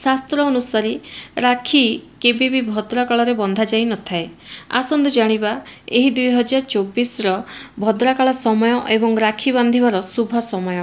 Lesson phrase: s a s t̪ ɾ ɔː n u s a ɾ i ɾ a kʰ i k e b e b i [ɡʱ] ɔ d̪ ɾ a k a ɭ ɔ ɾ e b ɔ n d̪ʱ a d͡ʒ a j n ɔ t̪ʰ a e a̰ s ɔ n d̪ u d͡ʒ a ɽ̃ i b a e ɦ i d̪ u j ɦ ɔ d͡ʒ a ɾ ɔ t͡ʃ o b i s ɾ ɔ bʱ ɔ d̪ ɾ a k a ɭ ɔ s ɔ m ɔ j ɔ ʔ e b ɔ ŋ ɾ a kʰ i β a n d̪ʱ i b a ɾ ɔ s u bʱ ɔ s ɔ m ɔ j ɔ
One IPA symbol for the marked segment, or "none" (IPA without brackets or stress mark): bʱ